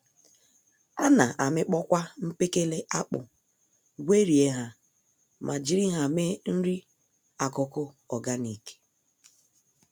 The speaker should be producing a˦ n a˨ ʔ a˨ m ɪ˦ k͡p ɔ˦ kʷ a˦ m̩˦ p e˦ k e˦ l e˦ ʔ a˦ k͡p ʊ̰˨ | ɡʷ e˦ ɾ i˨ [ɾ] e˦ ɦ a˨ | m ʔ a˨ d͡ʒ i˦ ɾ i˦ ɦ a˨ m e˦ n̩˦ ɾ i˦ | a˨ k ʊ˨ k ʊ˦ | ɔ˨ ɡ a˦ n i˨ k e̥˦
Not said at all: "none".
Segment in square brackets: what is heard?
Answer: none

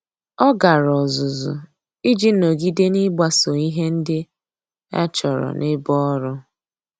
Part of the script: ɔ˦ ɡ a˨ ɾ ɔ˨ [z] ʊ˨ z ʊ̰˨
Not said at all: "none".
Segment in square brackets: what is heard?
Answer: z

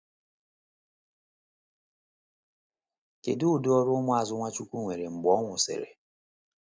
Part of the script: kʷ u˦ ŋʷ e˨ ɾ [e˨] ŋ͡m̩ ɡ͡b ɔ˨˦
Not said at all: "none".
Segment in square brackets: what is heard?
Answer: e˨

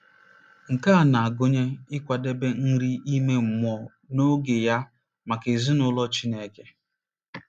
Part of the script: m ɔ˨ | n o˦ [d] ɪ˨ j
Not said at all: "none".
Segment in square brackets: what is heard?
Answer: ɡ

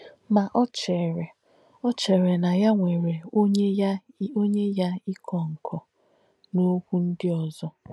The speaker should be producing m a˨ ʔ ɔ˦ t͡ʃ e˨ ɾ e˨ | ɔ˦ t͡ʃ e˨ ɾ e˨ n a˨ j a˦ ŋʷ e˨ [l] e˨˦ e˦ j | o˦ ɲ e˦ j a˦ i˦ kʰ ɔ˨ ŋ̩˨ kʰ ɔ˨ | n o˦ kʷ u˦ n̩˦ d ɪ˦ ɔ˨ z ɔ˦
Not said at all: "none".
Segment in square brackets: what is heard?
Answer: ɾ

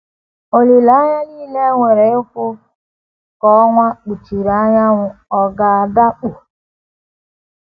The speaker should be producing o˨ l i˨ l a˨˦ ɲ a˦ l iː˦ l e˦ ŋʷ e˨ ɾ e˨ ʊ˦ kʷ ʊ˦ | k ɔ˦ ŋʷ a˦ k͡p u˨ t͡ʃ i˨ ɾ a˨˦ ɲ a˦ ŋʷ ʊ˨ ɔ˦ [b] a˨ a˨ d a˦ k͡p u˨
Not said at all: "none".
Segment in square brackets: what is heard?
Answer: ɡ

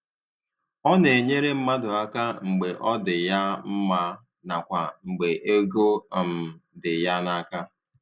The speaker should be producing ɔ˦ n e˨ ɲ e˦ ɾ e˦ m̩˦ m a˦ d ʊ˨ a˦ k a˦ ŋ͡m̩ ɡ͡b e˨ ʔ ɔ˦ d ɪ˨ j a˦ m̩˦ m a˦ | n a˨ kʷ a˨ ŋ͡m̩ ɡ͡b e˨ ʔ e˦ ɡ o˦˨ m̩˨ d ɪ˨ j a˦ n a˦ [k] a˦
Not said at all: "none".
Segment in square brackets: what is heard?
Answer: k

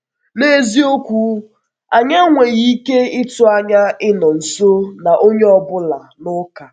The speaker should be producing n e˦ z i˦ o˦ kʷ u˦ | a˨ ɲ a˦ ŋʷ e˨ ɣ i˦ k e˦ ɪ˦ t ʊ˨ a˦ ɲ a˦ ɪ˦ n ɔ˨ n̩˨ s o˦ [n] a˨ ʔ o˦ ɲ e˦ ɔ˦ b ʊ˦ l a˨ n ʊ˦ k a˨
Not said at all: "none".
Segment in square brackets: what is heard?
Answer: n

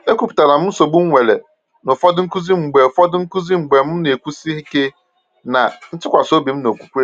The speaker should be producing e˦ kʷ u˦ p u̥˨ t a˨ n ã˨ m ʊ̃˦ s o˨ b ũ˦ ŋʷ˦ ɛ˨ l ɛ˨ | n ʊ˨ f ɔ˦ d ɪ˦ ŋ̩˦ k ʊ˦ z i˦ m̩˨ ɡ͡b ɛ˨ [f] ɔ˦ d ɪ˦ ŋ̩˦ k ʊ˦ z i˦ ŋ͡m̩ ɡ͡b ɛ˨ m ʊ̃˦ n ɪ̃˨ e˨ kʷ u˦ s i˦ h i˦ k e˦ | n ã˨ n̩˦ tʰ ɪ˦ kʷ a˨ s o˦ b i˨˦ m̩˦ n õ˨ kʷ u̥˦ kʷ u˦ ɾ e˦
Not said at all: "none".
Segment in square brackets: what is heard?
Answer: f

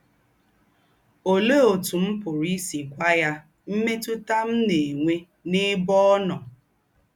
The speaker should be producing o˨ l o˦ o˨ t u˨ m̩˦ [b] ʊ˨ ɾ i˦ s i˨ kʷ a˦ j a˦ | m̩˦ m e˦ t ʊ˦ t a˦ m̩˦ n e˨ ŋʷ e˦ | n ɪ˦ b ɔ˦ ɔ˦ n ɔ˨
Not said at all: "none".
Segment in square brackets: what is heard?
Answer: p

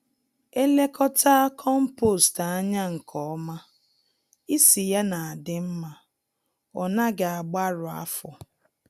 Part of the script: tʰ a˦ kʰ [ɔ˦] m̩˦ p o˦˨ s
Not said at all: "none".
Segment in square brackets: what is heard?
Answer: ɔ˦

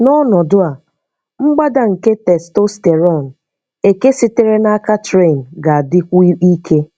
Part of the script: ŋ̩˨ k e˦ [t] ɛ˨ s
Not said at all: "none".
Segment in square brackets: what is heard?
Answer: t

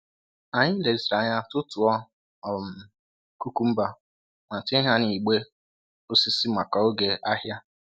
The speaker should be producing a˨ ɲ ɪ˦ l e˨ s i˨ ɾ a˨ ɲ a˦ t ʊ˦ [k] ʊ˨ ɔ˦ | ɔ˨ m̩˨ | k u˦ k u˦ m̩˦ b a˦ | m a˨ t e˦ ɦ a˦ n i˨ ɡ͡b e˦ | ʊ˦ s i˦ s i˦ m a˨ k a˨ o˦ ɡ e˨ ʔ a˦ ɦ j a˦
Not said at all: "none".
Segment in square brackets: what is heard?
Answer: t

